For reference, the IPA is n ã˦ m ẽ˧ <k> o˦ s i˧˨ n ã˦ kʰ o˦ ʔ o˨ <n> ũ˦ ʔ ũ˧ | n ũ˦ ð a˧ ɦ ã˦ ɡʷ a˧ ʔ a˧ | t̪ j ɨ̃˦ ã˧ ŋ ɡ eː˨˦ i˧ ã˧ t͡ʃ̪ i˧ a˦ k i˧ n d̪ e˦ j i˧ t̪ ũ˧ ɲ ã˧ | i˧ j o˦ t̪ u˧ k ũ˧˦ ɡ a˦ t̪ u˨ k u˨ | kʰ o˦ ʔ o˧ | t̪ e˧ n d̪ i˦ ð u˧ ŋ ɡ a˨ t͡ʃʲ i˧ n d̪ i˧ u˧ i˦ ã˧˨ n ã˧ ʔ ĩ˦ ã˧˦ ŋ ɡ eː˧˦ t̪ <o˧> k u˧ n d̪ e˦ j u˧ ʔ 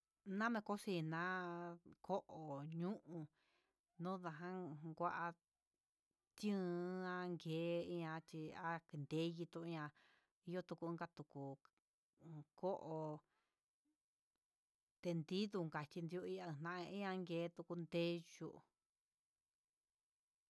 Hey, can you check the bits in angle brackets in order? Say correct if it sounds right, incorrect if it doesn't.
correct, incorrect, incorrect

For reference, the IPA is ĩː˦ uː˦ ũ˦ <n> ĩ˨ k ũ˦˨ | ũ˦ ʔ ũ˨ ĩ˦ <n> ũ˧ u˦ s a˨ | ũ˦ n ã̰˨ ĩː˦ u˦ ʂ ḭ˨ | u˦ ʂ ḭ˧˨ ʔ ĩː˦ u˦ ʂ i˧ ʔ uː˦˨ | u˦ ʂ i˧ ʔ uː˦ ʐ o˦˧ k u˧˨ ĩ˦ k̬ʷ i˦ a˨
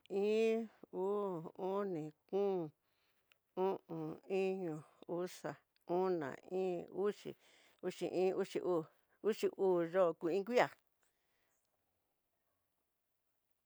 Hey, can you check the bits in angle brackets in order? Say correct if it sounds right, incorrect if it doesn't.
correct, incorrect

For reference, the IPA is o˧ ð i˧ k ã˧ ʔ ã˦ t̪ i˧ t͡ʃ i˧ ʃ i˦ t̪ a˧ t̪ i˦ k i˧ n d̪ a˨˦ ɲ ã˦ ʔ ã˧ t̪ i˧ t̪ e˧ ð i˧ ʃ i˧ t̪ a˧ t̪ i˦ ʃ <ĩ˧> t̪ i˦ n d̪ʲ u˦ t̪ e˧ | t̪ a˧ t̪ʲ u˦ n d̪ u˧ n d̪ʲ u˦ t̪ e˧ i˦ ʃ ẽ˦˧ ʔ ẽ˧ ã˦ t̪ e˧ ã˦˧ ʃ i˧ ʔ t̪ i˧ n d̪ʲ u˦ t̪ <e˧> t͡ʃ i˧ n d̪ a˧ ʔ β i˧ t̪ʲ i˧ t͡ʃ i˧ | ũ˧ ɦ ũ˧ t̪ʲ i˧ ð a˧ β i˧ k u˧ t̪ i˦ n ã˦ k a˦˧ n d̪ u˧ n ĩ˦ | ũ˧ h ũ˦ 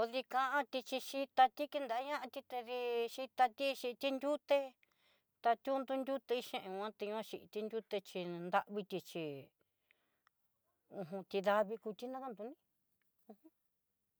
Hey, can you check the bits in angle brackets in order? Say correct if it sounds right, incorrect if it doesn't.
incorrect, correct

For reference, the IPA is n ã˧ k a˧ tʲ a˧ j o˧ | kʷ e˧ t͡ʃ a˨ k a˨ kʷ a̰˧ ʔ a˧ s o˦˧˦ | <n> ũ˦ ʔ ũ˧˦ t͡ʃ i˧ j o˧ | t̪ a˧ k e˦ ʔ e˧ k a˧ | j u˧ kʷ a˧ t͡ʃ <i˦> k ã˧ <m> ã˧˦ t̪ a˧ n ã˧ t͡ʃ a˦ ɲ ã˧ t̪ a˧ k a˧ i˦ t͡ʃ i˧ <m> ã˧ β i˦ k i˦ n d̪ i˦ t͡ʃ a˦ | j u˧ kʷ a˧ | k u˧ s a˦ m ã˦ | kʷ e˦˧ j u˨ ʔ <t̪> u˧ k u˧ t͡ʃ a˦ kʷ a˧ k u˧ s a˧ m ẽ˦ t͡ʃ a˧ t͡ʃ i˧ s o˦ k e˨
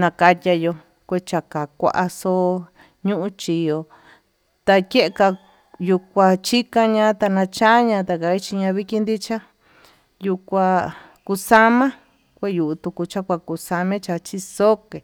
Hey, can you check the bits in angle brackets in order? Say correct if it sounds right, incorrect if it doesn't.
incorrect, correct, incorrect, incorrect, correct

